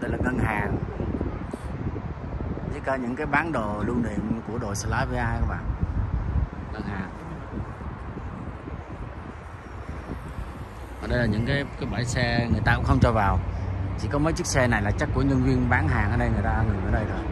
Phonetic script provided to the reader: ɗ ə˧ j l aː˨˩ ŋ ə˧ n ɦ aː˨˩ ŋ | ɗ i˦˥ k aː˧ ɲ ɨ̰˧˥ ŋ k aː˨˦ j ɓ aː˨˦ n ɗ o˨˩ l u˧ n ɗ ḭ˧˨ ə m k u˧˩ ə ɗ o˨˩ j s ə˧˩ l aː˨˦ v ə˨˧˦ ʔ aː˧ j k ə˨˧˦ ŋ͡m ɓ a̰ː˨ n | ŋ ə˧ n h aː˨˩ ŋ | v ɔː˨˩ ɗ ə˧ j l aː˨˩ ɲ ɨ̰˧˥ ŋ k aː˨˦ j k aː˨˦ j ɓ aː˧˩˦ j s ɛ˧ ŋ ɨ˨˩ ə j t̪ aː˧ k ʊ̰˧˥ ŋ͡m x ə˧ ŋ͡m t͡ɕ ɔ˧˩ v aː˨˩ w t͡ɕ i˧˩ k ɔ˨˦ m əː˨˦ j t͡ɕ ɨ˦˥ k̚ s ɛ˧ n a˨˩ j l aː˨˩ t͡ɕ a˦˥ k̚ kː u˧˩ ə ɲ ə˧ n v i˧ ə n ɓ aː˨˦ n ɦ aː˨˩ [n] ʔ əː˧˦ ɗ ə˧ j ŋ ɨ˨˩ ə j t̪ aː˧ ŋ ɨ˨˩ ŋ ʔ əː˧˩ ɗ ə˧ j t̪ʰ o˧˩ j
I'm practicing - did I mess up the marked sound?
yes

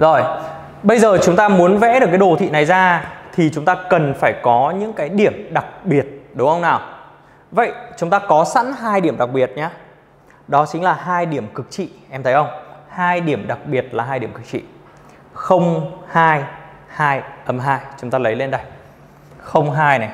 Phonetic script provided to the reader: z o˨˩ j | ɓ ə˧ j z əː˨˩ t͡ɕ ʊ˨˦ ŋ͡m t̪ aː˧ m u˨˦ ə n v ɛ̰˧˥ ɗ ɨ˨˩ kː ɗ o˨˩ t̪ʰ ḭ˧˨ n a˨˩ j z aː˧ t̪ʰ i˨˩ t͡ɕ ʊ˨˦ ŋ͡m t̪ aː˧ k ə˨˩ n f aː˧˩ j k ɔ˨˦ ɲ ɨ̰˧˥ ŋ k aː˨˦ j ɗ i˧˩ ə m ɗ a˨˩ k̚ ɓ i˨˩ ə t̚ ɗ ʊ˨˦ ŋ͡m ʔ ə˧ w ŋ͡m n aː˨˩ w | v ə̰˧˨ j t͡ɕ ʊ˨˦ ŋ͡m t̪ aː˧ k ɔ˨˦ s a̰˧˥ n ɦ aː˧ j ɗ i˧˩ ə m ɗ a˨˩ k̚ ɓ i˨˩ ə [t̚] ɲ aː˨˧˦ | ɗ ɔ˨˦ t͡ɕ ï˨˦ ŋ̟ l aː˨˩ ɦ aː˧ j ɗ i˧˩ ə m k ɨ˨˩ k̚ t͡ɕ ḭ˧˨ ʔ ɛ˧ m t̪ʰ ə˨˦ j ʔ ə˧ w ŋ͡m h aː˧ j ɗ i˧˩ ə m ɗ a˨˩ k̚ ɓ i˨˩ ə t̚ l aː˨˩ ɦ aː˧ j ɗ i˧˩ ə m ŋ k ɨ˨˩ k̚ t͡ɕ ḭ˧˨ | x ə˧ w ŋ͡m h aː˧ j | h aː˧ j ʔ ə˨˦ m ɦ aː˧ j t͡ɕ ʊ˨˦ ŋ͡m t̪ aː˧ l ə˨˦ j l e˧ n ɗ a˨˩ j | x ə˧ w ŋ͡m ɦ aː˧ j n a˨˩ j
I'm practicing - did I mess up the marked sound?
no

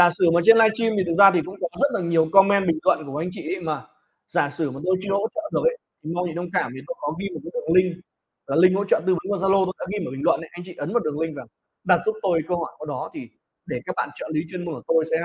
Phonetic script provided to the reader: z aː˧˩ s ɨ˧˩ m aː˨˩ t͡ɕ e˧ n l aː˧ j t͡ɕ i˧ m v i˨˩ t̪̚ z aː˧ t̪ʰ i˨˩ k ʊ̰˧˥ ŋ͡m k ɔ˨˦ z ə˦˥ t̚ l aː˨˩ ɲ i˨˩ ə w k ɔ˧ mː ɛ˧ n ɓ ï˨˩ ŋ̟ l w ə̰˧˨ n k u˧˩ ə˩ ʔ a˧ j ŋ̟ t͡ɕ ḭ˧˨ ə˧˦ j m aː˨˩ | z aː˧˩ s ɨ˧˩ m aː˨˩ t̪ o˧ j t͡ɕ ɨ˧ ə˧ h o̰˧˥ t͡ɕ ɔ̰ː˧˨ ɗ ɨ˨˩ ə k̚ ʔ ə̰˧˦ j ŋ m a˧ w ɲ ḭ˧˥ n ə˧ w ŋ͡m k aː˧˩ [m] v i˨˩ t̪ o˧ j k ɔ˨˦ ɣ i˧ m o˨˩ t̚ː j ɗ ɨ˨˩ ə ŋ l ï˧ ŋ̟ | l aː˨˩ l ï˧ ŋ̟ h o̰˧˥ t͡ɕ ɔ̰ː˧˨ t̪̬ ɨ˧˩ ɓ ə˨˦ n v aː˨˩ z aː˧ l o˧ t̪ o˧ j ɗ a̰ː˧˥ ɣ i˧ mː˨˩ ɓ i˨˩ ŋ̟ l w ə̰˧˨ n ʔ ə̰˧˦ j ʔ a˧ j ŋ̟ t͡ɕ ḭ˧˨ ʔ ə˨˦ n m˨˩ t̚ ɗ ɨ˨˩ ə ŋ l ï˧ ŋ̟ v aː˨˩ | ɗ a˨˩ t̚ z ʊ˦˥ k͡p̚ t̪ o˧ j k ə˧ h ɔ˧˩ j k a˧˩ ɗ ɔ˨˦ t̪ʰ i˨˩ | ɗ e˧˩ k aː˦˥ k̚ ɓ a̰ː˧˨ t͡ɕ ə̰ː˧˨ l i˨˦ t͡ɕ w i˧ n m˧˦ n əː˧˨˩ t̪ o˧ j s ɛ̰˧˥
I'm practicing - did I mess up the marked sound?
no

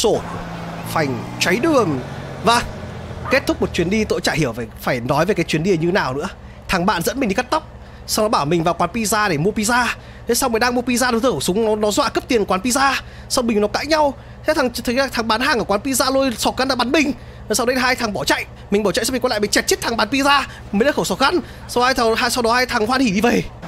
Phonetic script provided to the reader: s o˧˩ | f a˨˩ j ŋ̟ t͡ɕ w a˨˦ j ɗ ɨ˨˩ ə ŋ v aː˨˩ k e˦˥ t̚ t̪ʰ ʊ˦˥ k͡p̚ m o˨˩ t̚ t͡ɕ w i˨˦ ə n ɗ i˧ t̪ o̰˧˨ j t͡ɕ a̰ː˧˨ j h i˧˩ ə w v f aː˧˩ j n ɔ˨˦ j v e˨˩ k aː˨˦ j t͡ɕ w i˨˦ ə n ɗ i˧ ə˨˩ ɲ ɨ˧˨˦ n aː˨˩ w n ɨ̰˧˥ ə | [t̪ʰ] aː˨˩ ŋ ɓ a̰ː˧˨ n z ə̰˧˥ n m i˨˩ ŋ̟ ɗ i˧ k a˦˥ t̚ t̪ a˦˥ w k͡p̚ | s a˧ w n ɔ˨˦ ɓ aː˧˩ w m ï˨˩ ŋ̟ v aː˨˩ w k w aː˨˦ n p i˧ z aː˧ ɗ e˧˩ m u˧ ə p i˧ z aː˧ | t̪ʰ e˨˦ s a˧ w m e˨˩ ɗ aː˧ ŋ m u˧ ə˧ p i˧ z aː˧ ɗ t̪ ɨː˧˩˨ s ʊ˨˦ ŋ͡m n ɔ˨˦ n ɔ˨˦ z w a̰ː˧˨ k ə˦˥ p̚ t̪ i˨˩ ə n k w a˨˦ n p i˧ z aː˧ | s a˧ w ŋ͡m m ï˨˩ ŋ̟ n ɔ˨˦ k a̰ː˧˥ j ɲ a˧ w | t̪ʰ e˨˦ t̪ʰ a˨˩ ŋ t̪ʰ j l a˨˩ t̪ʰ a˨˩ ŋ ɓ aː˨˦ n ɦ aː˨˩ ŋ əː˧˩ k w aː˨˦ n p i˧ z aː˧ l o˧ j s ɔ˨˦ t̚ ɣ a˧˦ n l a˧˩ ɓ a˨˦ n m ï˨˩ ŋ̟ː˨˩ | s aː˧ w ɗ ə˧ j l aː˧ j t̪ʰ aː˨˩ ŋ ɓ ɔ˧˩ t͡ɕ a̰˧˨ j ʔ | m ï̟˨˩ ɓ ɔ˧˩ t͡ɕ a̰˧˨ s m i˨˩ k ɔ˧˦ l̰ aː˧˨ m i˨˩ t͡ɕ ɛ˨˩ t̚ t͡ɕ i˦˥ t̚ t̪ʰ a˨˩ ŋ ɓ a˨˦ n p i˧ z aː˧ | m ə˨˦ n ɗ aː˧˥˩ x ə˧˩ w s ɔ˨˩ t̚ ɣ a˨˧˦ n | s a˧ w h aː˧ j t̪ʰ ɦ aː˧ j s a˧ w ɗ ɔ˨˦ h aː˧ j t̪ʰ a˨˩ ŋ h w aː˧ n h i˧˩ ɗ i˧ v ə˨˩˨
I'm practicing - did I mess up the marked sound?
no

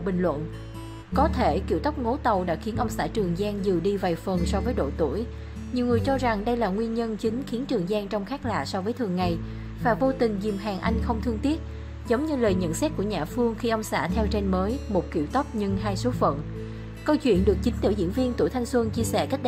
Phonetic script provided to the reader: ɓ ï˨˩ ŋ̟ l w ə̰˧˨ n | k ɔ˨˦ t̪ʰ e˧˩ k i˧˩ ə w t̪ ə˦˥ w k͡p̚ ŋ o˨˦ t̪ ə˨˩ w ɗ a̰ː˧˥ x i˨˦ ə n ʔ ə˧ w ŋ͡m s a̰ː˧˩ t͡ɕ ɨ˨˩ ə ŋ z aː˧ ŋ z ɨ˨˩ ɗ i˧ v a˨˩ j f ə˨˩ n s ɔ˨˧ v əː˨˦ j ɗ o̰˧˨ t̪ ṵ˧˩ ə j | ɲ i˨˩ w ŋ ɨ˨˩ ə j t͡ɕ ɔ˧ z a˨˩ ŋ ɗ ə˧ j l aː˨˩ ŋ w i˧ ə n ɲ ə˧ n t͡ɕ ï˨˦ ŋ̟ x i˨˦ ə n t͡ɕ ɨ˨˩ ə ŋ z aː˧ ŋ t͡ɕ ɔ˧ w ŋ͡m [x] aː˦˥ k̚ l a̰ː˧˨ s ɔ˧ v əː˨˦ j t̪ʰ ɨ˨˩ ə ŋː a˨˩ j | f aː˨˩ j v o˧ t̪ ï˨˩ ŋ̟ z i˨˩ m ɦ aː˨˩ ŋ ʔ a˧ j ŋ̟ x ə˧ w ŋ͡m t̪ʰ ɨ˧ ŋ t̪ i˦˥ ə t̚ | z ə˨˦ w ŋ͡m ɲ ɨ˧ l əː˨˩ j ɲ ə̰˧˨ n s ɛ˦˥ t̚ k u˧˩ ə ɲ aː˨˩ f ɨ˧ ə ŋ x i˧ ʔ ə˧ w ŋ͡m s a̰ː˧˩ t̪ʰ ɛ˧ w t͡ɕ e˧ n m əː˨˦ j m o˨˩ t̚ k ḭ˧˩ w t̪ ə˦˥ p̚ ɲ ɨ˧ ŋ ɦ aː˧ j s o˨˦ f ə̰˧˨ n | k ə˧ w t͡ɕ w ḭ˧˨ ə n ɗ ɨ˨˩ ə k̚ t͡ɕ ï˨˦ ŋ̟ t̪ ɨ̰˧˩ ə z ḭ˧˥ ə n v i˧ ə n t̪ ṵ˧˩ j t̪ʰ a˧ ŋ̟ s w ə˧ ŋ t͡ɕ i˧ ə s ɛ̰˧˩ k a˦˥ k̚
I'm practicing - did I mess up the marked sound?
no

